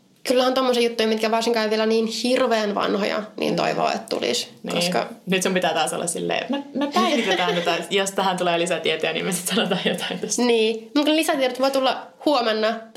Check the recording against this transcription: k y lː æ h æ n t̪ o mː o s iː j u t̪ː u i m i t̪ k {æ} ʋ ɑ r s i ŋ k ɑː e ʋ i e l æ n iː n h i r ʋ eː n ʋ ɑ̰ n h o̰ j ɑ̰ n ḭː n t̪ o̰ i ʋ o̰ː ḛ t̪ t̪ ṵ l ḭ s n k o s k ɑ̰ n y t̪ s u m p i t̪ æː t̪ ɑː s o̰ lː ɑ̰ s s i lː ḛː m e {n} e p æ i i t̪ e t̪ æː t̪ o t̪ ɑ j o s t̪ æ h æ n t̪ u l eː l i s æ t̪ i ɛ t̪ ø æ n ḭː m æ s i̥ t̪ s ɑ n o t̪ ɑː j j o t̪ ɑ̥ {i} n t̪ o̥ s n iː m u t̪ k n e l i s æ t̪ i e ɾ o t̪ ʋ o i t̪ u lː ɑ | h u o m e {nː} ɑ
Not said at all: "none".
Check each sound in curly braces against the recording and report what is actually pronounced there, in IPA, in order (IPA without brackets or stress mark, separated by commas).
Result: æ, m, i, nː